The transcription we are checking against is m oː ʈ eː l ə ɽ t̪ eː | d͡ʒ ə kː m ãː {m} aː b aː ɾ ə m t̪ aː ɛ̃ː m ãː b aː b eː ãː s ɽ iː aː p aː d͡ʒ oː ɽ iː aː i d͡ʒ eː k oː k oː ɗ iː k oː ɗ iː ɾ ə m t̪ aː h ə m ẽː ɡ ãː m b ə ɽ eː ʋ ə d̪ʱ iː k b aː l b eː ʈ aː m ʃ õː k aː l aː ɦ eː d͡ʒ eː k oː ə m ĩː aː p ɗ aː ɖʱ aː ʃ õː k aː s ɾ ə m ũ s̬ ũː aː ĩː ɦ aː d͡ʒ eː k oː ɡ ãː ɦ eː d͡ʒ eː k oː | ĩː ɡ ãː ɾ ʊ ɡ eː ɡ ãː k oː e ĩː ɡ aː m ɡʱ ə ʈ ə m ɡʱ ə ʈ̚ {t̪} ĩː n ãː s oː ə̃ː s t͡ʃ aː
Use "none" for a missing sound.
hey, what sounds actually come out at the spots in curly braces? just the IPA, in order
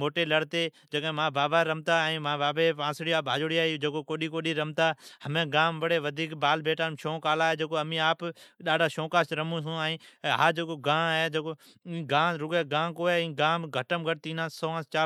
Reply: b, t̪

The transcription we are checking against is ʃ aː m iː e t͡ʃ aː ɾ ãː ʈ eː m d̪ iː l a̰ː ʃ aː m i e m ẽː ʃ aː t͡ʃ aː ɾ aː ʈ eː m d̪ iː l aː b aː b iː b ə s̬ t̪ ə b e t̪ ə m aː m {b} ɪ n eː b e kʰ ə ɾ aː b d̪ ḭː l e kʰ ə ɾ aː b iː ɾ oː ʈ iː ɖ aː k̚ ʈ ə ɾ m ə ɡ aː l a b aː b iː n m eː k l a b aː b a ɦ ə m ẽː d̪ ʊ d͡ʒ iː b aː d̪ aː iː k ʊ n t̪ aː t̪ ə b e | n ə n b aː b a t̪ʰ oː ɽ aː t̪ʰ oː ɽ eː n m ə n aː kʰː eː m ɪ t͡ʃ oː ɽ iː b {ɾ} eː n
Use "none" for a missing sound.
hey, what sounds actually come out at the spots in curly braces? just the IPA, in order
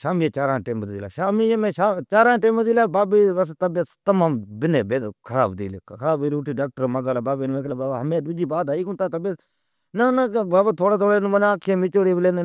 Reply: b, l

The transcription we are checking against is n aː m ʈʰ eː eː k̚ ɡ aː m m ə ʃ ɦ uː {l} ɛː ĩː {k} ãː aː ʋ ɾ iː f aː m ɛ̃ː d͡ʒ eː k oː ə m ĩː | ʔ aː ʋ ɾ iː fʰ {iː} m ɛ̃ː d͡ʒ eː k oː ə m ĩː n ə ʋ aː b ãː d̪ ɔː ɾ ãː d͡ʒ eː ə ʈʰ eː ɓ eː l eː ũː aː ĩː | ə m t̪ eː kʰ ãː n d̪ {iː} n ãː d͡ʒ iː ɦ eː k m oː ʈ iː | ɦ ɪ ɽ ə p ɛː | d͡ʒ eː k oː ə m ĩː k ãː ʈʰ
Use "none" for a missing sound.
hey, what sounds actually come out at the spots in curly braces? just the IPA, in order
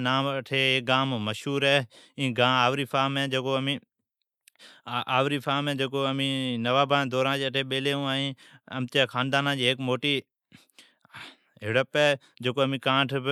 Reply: ɾ, ɡ, aː, aː

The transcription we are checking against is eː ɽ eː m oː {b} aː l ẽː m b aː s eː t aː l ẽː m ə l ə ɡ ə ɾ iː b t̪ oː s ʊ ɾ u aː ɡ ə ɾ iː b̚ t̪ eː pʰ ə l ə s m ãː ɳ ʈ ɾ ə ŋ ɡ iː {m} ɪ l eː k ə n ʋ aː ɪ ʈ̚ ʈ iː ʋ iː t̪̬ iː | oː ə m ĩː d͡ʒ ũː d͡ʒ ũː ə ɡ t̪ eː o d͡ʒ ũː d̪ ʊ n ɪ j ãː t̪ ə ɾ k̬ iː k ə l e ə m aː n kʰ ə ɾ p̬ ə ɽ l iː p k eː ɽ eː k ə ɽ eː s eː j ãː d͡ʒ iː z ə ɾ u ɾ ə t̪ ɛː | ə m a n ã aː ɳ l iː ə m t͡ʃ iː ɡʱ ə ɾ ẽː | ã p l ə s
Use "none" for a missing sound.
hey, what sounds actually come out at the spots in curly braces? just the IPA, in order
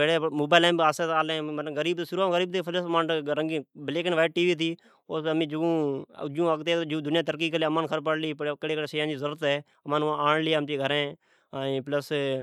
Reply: b, b

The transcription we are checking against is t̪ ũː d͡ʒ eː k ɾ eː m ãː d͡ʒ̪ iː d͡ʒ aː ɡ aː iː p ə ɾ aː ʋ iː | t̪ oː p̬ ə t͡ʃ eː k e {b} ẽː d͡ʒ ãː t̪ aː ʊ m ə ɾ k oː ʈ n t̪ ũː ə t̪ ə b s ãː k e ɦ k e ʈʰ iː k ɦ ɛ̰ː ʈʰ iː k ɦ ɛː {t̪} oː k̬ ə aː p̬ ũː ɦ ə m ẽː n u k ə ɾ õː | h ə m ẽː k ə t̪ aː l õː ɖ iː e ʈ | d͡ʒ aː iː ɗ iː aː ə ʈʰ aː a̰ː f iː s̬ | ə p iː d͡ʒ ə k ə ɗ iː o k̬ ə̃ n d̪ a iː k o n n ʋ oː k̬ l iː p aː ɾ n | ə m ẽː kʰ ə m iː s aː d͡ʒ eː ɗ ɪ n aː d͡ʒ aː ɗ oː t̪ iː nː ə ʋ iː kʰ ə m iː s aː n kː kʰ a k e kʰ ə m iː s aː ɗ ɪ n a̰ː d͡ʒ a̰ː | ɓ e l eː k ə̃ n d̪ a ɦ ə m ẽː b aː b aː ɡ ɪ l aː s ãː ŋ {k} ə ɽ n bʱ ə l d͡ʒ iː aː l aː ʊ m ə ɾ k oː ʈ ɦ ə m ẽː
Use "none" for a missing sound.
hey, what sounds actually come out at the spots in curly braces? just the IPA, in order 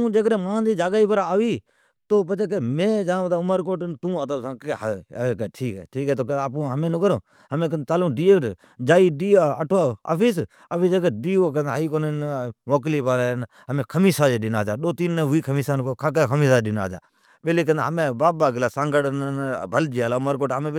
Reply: m, t̪, ɡ

